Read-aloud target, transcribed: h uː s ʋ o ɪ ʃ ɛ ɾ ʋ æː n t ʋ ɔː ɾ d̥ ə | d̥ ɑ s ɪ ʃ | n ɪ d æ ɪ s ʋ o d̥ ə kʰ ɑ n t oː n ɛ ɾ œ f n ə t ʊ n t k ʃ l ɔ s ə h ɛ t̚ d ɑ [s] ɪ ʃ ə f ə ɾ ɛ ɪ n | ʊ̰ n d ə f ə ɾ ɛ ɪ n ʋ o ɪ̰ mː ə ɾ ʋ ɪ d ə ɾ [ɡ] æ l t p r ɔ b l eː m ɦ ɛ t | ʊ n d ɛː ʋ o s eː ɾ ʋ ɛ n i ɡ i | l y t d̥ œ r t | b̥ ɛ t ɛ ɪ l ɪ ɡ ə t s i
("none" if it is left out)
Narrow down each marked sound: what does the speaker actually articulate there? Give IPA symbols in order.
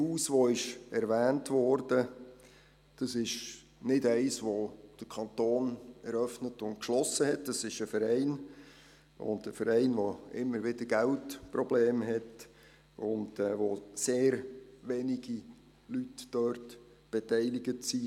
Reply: s, ɡ

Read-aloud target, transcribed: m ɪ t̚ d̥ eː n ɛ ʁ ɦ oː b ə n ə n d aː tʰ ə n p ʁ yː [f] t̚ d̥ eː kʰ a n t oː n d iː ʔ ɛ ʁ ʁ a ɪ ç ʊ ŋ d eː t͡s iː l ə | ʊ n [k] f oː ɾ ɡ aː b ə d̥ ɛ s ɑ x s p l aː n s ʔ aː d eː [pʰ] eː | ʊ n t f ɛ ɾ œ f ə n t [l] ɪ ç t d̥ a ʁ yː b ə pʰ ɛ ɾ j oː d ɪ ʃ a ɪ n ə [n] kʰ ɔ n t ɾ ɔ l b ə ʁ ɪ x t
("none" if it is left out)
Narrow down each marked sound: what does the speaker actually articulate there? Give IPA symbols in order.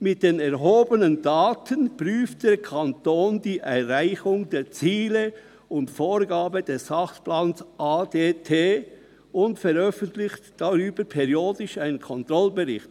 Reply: f, t, tʰ, l, n

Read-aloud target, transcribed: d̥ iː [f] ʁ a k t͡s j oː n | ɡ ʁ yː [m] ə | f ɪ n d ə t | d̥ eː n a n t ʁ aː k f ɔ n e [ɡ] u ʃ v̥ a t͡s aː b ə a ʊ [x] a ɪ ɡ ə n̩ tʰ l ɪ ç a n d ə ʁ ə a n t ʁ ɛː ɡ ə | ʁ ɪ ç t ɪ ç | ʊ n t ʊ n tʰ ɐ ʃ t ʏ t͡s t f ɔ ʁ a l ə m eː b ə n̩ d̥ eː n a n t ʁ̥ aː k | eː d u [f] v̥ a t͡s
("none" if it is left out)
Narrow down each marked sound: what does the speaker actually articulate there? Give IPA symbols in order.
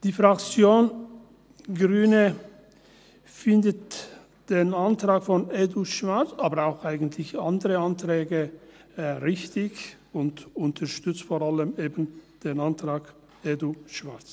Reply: f, n, d, x, ʃ

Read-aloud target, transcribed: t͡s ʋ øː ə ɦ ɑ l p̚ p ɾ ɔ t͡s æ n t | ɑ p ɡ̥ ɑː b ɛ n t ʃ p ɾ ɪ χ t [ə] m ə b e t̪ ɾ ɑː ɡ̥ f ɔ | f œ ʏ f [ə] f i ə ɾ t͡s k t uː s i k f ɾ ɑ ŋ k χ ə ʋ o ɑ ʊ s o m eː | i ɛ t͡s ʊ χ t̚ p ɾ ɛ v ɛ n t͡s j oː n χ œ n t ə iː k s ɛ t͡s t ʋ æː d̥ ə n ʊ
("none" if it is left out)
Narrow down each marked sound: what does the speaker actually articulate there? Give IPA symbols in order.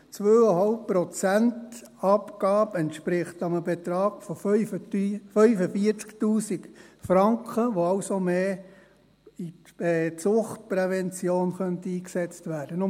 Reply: ɑ, ə

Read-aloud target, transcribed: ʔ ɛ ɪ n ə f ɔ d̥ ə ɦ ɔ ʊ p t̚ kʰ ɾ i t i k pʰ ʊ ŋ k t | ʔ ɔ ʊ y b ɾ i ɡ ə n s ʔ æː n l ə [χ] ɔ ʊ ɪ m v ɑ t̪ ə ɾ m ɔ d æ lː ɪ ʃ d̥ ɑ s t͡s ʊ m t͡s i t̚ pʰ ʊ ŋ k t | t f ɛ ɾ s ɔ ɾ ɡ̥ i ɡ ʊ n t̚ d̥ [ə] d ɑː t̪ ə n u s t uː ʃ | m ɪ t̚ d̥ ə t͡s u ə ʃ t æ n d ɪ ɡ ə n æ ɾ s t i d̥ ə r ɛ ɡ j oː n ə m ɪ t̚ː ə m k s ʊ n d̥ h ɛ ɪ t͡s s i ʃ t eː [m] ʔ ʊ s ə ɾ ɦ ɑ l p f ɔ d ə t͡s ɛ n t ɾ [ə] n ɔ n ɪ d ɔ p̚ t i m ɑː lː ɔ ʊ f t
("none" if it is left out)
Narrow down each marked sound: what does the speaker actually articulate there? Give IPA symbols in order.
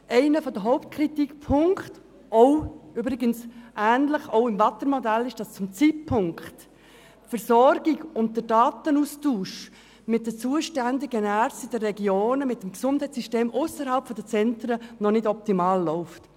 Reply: χ, ə, m, ə

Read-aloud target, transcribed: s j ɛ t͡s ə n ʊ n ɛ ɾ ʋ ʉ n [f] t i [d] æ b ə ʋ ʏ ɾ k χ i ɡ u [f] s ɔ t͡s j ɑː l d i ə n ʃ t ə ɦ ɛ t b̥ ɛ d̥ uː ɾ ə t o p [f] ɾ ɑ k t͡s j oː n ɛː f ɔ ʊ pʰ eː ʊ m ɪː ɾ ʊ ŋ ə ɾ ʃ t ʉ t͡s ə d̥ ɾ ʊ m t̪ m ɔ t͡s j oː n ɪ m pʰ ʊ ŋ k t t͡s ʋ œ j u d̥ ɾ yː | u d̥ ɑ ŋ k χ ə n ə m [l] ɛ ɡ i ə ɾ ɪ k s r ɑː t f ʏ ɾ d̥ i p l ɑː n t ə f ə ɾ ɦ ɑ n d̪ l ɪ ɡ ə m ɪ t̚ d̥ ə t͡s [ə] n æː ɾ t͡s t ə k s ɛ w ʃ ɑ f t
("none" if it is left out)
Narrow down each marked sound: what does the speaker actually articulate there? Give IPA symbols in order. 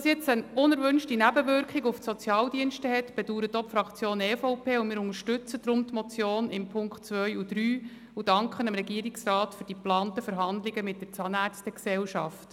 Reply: ʃ, n, f, f, ɾ, ɑ

